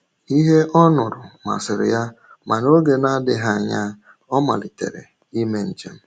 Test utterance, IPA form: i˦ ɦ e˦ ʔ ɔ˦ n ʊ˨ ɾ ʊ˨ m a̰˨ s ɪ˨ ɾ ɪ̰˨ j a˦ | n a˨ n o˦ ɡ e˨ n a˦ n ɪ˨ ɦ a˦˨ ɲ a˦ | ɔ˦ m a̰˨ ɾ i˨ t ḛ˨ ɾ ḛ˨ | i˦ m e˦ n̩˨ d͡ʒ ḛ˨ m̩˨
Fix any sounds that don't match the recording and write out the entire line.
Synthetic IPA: i˦ ɦ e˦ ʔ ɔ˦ n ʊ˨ ɾ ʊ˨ m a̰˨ s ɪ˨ ɾ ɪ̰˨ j a˦ | m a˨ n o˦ ɡ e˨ n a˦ d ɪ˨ ɦ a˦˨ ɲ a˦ | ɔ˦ m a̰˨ l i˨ t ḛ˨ ɾ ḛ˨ | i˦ m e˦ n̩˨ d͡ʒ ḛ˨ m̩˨